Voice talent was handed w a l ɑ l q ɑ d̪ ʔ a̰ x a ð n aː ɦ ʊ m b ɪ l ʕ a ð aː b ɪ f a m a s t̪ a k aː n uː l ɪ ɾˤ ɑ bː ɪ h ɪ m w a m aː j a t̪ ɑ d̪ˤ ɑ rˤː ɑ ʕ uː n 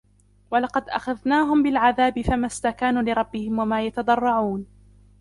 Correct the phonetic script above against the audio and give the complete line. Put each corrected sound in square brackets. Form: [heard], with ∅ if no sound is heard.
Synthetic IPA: w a l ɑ [∅] q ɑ d̪ ʔ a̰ x a ð n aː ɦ ʊ m b ɪ l ʕ a ð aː b ɪ f a m a s t̪ a k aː n uː l ɪ ɾˤ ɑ bː ɪ h ɪ m w a m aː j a t̪ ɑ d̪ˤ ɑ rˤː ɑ ʕ uː n